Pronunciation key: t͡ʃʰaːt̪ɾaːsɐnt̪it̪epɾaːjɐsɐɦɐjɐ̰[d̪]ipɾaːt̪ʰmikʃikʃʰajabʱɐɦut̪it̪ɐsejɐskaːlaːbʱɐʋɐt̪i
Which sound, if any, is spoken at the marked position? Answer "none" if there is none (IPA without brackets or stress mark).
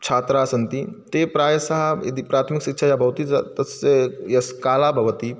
d̪